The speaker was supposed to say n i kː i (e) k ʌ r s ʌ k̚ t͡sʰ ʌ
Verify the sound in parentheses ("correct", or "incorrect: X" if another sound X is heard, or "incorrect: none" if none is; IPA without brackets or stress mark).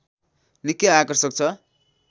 incorrect: a